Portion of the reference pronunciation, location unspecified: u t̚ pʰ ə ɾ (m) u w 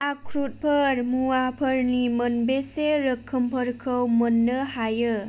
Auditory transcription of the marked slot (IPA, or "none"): m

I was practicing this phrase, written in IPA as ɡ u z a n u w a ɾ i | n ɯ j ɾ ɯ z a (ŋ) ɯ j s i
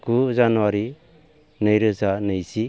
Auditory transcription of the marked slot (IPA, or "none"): n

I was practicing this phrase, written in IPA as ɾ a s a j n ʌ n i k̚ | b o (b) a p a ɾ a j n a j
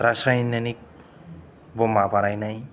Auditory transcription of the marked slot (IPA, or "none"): m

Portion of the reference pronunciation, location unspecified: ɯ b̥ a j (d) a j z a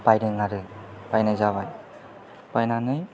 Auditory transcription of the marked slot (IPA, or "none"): n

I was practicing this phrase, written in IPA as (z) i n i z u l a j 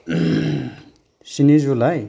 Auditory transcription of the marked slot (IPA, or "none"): s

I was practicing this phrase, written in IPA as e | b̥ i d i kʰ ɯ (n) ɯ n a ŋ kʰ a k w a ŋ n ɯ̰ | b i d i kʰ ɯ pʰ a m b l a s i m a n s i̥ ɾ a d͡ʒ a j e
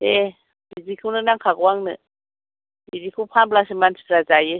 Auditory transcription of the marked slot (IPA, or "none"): n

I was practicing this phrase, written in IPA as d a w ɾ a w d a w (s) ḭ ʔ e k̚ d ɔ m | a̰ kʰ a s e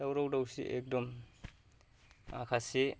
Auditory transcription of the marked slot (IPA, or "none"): s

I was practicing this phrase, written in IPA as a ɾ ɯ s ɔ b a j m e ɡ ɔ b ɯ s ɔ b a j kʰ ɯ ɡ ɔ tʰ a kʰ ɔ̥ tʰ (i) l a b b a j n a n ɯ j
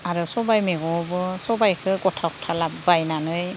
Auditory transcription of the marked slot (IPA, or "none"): a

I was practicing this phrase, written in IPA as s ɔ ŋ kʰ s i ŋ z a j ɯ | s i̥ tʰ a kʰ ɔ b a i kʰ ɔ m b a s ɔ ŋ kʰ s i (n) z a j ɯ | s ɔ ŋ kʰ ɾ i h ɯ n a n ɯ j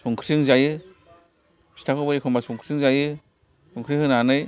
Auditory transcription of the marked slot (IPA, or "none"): ŋ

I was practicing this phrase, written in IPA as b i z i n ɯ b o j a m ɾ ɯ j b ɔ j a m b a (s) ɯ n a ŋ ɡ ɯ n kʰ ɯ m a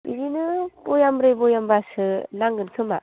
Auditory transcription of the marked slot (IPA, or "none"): s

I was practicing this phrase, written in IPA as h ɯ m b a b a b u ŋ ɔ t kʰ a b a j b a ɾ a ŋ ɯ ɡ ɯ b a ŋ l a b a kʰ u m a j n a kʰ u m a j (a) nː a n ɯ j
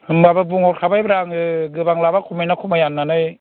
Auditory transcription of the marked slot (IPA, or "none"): a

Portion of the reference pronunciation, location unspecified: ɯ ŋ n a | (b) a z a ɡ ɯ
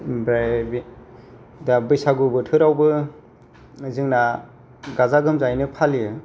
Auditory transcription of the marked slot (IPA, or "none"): ɡ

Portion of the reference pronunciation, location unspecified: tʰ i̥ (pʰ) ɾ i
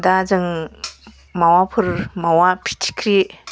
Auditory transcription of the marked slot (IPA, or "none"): kʰ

